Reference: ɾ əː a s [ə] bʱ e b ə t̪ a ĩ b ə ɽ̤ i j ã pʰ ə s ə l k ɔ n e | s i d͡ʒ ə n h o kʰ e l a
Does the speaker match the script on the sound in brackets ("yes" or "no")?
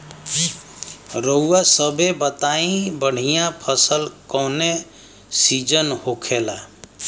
yes